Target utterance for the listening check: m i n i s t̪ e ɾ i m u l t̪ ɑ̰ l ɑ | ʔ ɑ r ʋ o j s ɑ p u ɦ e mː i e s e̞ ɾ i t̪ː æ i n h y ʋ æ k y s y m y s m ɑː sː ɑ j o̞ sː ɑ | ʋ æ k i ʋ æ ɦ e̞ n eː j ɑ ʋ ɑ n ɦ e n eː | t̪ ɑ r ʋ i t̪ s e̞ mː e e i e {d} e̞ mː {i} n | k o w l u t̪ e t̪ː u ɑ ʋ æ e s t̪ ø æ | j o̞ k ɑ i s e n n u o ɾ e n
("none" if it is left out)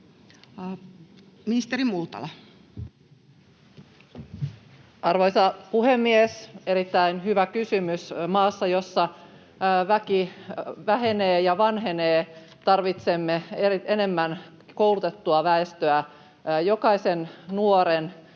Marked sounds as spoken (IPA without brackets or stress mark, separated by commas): n, æ